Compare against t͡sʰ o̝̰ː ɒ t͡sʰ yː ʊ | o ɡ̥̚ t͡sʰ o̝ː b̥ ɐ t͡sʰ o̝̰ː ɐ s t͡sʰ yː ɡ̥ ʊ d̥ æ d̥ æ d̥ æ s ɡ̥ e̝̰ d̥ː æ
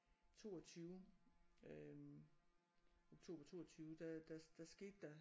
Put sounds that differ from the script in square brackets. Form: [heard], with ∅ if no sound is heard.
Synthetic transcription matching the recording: t͡sʰ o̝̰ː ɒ t͡sʰ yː ʊ | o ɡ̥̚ t͡sʰ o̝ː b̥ ɐ t͡sʰ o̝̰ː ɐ [∅] t͡sʰ yː [∅] ʊ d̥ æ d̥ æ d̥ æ s ɡ̥ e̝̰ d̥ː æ